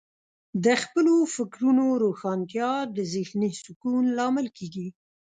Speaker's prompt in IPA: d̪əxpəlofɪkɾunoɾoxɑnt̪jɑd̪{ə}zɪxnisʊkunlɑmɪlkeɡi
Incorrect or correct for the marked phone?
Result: correct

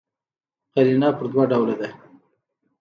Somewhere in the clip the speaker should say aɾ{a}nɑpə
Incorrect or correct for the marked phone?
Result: incorrect: i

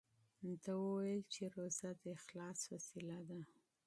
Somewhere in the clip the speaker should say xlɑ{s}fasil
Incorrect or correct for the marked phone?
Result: correct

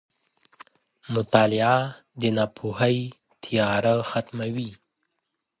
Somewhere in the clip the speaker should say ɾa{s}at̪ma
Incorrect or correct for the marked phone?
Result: incorrect: x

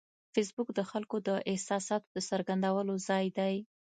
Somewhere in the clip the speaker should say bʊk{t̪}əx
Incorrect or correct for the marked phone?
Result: incorrect: d̪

